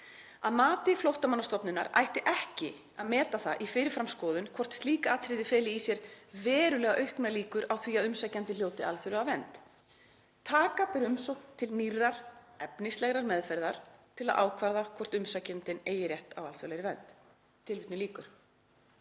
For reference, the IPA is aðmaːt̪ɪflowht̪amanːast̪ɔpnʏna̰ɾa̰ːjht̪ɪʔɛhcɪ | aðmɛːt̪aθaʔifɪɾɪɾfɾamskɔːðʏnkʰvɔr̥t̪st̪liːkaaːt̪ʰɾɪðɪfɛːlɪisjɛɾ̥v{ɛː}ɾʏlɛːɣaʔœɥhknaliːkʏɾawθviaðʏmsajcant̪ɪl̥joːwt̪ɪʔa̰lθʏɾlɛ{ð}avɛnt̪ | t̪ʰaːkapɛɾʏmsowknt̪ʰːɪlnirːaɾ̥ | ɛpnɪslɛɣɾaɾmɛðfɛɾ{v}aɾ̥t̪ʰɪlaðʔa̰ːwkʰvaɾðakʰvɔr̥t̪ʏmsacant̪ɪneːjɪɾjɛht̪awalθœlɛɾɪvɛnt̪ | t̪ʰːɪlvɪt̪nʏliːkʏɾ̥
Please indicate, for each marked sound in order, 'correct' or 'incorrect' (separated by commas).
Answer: correct, incorrect, incorrect